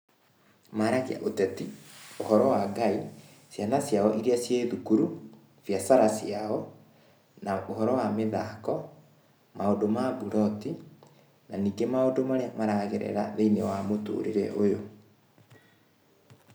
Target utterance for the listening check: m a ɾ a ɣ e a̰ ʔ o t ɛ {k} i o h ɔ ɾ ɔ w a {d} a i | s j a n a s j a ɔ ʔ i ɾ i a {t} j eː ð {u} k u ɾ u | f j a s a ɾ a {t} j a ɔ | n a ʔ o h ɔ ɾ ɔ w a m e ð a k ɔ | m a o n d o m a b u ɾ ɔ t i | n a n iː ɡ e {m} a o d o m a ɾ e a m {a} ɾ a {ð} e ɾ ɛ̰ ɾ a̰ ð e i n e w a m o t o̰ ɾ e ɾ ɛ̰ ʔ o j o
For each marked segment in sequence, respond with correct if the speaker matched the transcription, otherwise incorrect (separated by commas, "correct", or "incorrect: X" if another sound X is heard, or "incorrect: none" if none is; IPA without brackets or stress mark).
incorrect: t, incorrect: ɡ, incorrect: s, correct, incorrect: s, correct, correct, incorrect: ɣ